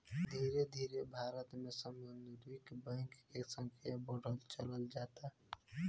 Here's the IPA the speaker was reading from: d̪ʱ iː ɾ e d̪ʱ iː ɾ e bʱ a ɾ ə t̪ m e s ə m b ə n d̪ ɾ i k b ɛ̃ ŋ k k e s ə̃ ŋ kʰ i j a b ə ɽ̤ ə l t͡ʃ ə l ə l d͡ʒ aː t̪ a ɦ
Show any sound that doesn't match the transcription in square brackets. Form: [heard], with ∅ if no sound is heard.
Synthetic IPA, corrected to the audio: d̪ʱ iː ɾ e d̪ʱ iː ɾ e bʱ a ɾ ə t̪ m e s ə m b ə n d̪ ɾ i k b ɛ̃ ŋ k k e s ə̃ ŋ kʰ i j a b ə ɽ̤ ə l t͡ʃ ə l ə l d͡ʒ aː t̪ a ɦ